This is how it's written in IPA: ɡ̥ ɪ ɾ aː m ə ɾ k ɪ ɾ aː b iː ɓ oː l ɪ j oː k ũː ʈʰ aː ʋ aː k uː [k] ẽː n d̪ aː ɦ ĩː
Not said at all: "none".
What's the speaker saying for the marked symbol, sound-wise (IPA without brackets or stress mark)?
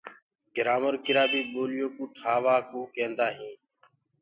k